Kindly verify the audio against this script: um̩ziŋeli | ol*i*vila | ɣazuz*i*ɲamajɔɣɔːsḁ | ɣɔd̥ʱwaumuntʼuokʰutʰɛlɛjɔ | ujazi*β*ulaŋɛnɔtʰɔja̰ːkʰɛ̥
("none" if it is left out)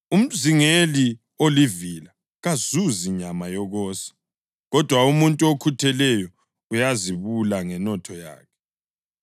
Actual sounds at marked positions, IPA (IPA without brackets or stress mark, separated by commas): i, i, β